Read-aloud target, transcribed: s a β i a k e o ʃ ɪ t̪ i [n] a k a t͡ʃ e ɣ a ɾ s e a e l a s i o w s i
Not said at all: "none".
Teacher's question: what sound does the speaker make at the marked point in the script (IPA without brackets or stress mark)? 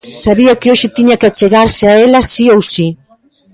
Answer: ɲ